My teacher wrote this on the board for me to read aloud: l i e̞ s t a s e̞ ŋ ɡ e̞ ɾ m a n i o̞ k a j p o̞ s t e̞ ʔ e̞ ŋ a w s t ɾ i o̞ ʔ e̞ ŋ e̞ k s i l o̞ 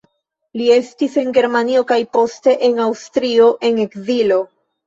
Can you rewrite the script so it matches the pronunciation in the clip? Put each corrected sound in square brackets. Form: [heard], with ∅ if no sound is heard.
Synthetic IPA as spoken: l i e̞ s t [i] s e̞ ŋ ɡ e̞ ɾ m a n i o̞ k a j p o̞ s t e̞ ʔ e̞ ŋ a w s t ɾ i o̞ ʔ e̞ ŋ e̞ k [z] i l o̞